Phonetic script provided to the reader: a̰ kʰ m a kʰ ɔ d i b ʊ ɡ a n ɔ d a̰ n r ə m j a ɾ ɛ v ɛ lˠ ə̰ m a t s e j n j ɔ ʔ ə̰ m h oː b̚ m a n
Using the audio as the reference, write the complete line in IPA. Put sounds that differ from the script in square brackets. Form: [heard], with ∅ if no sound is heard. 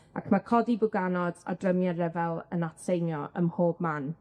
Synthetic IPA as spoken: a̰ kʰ m a kʰ ɔ d i b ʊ ɡ a n ɔ d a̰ [d] r ə m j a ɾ ɛ v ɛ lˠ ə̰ [n] a t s e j n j ɔ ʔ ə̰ m h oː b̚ m a n